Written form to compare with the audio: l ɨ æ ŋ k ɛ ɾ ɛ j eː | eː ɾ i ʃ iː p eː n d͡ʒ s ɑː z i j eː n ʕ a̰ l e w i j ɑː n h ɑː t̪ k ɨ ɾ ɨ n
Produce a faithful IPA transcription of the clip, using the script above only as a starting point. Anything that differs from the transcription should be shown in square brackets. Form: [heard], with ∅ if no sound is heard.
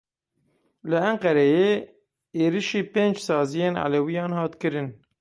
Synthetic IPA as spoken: l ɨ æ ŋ [q] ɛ ɾ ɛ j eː | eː ɾ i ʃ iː p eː n d͡ʒ s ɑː z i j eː n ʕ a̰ l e w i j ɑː n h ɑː t̪ k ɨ ɾ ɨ n